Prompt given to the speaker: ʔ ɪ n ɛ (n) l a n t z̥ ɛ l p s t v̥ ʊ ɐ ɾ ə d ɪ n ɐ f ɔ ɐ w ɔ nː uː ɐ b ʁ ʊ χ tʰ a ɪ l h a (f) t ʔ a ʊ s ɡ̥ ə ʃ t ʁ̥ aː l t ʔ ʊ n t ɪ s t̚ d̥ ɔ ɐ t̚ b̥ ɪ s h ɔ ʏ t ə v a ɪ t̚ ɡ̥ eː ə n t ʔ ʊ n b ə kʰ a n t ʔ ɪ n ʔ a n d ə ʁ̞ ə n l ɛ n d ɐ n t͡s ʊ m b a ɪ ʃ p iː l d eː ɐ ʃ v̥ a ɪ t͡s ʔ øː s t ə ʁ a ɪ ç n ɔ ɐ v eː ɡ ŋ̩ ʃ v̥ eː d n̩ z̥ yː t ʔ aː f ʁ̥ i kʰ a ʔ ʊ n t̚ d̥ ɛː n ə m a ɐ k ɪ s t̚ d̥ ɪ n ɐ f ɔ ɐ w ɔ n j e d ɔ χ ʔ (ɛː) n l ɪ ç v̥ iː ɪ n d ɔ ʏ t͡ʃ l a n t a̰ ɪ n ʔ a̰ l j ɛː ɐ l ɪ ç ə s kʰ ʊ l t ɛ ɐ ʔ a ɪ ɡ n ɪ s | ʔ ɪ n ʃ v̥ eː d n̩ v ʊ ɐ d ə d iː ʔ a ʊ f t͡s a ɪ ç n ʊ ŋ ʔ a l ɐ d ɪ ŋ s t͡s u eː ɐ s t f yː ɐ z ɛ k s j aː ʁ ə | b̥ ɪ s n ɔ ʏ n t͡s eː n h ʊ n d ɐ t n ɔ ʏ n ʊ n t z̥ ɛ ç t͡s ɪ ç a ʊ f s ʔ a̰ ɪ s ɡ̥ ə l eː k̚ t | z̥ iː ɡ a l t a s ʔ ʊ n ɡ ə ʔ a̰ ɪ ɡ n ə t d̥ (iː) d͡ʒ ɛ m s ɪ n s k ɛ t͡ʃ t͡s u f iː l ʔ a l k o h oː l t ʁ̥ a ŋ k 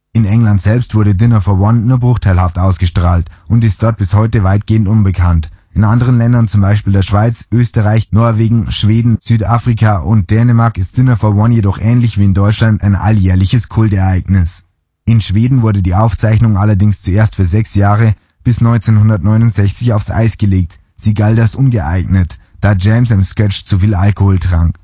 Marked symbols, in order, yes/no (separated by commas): no, yes, yes, no